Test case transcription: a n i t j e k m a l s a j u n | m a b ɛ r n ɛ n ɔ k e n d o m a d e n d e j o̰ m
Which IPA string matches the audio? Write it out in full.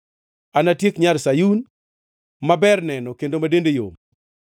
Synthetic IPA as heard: a n a t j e k ɲ a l s a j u n | m a b ɛ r n ɛ n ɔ k e n d o m a d e n d e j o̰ m